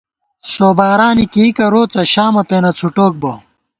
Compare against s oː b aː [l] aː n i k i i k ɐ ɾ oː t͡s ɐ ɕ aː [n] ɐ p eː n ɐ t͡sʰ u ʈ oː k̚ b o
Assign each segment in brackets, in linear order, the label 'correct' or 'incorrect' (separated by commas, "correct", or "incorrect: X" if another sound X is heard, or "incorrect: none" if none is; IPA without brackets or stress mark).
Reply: incorrect: ɾ, incorrect: m